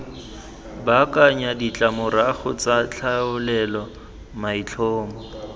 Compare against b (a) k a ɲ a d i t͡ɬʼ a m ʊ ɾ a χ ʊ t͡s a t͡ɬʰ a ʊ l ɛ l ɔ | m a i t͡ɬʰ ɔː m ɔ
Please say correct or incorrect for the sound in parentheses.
correct